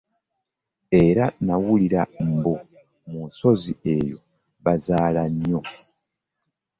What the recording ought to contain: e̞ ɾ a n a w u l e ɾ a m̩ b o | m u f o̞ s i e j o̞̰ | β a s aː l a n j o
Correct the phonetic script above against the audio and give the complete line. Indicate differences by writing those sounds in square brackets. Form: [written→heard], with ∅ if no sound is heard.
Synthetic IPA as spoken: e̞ ɾ a n a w u l [e→i] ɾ a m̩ b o | m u [f→s] o̞ [s→z] i e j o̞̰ | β a [s→z] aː l a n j o

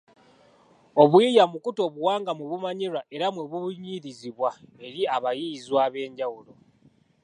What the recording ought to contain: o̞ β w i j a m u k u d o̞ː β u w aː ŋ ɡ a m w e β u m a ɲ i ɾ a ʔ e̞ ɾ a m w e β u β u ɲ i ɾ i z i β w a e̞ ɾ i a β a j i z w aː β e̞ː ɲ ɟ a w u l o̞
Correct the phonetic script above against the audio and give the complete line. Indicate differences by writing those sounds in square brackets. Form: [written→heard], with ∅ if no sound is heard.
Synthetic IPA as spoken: o̞ β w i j a m u k u [d→t] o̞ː β u w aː ŋ ɡ a m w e β u m a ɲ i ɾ a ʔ e̞ ɾ a m w e β u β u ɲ i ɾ i z i β w a e̞ ɾ i a β a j i z w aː β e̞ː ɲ ɟ a w u l o̞

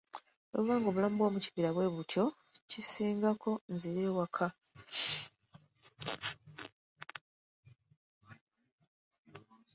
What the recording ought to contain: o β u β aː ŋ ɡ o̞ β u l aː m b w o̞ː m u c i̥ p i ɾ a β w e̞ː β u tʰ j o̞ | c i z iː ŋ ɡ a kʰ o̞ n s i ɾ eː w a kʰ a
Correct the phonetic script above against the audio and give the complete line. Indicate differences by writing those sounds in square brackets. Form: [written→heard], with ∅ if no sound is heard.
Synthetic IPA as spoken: o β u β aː ŋ ɡ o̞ β u l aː m b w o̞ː m u c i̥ p i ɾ a β w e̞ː β u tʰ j o̞ | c i [z→s] iː ŋ ɡ a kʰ o̞ n [s→z] i ɾ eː w a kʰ a

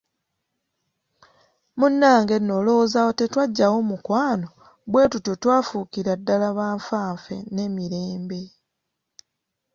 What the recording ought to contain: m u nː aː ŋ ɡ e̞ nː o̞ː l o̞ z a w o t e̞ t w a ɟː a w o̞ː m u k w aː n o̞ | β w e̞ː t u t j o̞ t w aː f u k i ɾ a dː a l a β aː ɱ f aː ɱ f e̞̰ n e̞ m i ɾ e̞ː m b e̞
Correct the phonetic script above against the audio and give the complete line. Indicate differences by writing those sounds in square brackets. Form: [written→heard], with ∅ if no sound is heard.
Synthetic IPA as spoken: m u nː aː ŋ ɡ e̞ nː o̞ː l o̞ z a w o t e̞ t w a ɟː a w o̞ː m u k w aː n o̞ | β w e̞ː t u t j o̞ t w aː f u k i ɾ a dː a l a β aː ɱ f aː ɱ f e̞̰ n e̞ m i ɾ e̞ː m b e̞

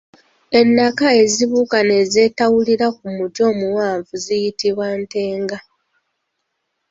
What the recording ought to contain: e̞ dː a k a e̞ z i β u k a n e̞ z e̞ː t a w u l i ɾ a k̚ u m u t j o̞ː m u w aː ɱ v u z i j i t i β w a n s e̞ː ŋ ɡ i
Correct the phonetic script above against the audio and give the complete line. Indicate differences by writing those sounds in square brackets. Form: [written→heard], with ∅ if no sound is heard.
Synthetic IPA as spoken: e̞ [dː→nː] a k a e̞ z i β u k a n e̞ z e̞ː t a w u l i ɾ a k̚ u m u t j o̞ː m u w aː ɱ v u z i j i t i β w a n [s→t] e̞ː ŋ ɡ [i→a]

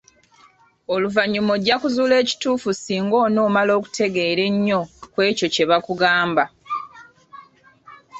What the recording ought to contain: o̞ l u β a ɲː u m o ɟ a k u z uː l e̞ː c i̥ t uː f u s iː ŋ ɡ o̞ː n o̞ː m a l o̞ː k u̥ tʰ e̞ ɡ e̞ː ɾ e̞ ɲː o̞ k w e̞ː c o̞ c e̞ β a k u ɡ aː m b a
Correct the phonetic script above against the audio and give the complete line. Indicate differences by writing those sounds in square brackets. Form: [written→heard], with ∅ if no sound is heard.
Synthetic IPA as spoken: o̞ l u [β→v] a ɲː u m o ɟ a k u z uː l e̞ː c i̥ t uː f u s iː ŋ ɡ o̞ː n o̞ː m a l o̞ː k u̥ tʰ e̞ ɡ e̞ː ɾ e̞ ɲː o̞ k w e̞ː c o̞ c e̞ β a k u ɡ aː m b a

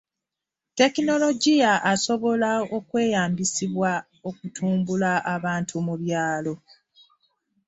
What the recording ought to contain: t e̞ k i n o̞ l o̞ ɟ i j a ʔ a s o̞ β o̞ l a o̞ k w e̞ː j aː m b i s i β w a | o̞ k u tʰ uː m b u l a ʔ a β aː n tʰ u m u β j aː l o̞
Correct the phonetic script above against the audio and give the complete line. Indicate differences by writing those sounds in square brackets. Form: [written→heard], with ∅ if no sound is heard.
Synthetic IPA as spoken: t e̞ k i n o̞ l o̞ ɟ i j a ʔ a s o̞ β o̞ l a o̞ k w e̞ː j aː m b i s i β w a | o̞ k u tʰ uː m b u l a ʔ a β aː n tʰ u m u β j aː l o̞

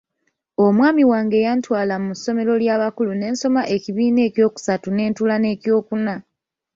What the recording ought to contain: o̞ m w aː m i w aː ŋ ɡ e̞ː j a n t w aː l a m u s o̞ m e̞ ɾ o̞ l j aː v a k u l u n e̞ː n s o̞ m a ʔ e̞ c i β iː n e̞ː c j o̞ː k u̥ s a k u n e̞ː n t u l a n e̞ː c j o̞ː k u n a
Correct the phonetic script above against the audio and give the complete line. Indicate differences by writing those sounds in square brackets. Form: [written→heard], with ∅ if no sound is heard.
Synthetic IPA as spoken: o̞ m w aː m i w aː ŋ ɡ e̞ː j a n t w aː l a m u s o̞ m e̞ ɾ o̞ l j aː [v→β] a k u l u n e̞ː n s o̞ m a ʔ e̞ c i β iː n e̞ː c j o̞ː k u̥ s a [k→t] u n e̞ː n t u l a n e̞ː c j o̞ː k u n a

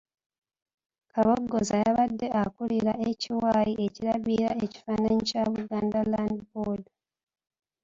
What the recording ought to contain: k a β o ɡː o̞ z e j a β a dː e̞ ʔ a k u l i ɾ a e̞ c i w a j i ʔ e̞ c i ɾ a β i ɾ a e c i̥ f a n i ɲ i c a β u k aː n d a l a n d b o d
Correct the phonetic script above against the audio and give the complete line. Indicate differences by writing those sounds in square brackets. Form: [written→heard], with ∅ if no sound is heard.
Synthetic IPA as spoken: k a β o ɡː o̞ z [e→a] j a β a dː e̞ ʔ a k u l i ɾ a e̞ c i w a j i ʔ e̞ c i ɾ a β i ɾ a e c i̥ f a n [i→a] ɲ i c a β u [k→ɡ] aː n d a l a n d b o d

